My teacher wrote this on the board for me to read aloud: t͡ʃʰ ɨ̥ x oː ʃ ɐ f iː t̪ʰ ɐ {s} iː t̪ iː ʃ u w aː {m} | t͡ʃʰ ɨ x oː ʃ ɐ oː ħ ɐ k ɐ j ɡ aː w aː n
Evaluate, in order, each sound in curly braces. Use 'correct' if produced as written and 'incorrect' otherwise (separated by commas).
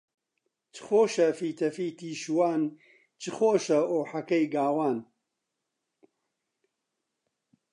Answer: incorrect, incorrect